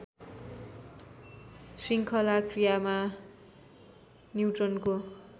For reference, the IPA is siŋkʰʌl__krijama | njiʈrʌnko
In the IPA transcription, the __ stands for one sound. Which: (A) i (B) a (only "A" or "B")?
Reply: B